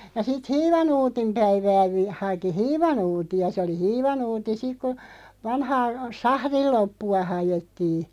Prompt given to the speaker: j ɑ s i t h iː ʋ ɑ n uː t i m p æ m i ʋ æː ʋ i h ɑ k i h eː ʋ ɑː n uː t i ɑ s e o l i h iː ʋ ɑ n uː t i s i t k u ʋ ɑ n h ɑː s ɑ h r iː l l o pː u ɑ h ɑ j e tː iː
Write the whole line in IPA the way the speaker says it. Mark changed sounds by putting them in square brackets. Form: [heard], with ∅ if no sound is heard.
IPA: j ɑ s i t h iː ʋ ɑ n uː t i m p æ [∅] i ʋ æː ʋ i h ɑ k i h [iː] ʋ [ɑ] n uː t i ɑ s e o l i h iː ʋ ɑ n uː t i s i [k] k u ʋ ɑ n h ɑː s ɑ h r [i] l l o pː u ɑ h ɑ j e tː iː

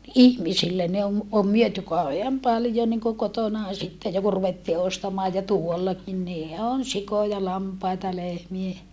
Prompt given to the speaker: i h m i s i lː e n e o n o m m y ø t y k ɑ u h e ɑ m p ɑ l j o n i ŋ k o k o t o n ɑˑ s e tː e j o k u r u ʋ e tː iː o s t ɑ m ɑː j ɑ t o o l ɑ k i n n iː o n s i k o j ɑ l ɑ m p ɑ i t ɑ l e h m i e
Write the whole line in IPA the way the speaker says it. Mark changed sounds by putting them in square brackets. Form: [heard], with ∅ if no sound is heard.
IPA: i h m i s i lː e n e o [m] o m m y ø t y k ɑ u h e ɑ m p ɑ l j o n i ŋ k o k o t o n ɑˑ s [i] tː e j o k u r u ʋ e tː iː o s t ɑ m ɑː j ɑ t [u] o [lː] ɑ k i n n iː o n s i k o j ɑ l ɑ m p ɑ i t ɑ l e h m i e

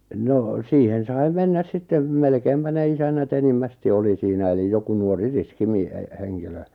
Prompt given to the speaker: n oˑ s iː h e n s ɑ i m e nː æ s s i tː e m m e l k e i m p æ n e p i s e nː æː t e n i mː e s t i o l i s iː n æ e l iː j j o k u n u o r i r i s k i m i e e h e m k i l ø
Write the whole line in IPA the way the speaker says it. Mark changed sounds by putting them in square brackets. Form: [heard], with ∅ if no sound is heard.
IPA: n oˑ s iː h e n s ɑ i m e nː æ s s i tː e m m e l k e i m p æ n e [∅] i s [æ] nː [æ] t e n i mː [æ] s t i o l i s iː n æ e l [i] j j o k u n u o r i r i s k i m i e e h e [ŋ] k i l ø

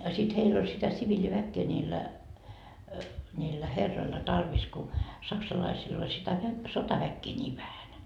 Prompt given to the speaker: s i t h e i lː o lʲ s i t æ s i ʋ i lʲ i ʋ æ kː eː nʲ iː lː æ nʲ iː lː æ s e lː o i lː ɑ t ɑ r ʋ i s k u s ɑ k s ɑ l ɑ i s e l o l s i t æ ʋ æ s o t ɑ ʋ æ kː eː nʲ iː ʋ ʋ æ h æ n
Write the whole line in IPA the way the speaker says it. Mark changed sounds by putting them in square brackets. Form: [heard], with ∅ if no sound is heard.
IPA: s i t h e i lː o lʲ s i t æ s i ʋ i lʲ i ʋ æ kː eː nʲ iː lː æ nʲ iː lː æ [h] e [rː] o i lː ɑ t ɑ r ʋ i s k u s ɑ k s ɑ l ɑ i s [i] l o l s i t æ ʋ æ s o t ɑ ʋ æ kː eː nʲ iː ʋ ʋ æ h æ n

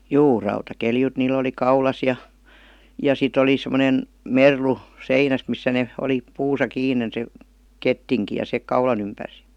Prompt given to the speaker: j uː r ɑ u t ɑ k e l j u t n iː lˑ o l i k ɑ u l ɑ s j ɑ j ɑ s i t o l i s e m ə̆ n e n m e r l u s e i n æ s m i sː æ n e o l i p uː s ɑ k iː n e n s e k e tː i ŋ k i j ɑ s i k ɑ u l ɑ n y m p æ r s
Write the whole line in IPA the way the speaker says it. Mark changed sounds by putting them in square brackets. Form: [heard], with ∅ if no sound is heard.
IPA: j uː r ɑ u t ɑ k e l j u t n iː lˑ o l i k ɑ u l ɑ s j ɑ j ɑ s i t o l i s e m ə̆ n e n m e r l u s e i n æ s m i sː æ n e o l i p uː s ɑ k iː n e n s e k e tː i ŋ k i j ɑ s [e] k ɑ u l ɑ n y m p æ r s

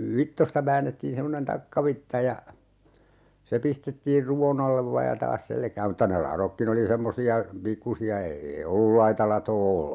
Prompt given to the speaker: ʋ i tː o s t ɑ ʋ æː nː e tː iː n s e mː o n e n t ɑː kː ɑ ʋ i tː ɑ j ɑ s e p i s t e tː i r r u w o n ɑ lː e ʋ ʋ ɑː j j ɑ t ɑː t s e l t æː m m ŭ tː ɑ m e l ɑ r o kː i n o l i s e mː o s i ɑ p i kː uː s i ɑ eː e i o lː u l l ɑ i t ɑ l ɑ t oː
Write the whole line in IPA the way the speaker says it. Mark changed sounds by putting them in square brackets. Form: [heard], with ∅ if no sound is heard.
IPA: ʋ i tː o s t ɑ ʋ æː nː e tː iː n s e mː o n e n t [ɑ] kː ɑ ʋ i tː ɑ j ɑ s e p i s t e tː [iː] r r u w o n ɑ lː e ʋ ʋ ɑː j j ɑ t ɑː [s] s e l [k] æː m m ŭ tː ɑ [n] e l ɑ r o kː i n o l i s e mː o s i ɑ p i kː [u] s i ɑ eː e i o lː u l l ɑ i t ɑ l ɑ t oː

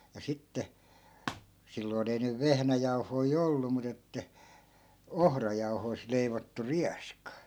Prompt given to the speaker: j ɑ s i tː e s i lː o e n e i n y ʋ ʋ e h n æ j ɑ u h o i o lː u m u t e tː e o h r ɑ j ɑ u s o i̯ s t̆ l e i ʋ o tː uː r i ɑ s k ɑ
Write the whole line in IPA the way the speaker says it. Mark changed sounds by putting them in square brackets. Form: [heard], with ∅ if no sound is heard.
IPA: j ɑ s i tː e s i lː o [i] n e i n y ʋ ʋ e h n æ j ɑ u h o i o lː u m u t e tː [æ] o h r ɑ j ɑ u [h] o i̯ s t̆ l e i ʋ o tː [u] r i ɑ s k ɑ

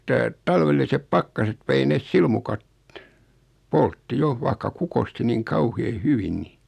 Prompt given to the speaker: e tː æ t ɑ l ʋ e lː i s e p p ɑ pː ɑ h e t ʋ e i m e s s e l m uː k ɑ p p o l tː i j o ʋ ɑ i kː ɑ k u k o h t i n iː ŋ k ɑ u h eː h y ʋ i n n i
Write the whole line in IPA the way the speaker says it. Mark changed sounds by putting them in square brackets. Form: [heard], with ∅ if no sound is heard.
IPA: e tː æ t ɑ l ʋ e lː i s e p p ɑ [kː] ɑ [s] e t ʋ e i [n] e s s [i] l m [u] k ɑ [t] p o l tː i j o ʋ ɑ i kː ɑ k u k o [s] t i n iː ŋ k ɑ u h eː h y ʋ i n n i

